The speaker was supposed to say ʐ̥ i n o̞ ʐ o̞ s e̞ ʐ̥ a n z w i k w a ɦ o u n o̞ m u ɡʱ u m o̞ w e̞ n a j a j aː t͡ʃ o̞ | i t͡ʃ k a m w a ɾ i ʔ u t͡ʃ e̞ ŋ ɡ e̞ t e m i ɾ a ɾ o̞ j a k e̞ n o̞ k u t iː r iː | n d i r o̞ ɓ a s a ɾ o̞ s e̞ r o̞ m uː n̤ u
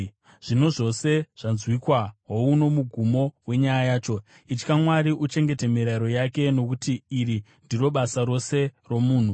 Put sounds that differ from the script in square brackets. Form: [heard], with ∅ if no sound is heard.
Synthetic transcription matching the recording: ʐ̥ i n o̞ ʐ o̞ s e̞ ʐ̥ a n z w i k w a ɦ o u n o̞ m u ɡʱ u m o̞ w e̞ [ɲ] a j a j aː t͡ʃ o̞ | i t͡ʃ k a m w a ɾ i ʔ u t͡ʃ e̞ ŋ ɡ e̞ t e m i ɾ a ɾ o̞ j a k e̞ n o̞ k u t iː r [i] | n d i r o̞ ɓ a s a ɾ o̞ s e̞ r o̞ m uː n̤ u